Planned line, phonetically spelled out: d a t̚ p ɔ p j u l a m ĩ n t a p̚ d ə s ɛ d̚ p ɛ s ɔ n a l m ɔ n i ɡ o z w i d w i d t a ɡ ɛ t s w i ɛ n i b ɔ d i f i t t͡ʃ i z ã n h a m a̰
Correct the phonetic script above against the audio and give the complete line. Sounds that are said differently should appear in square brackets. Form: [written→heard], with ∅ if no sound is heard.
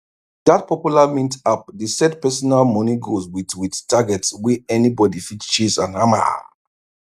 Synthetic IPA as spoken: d a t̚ p ɔ p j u l a m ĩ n t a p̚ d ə s ɛ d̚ p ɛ s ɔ n a l m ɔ n i ɡ o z w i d w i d t a ɡ ɛ t s w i ɛ n i b ɔ d i f i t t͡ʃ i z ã n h a m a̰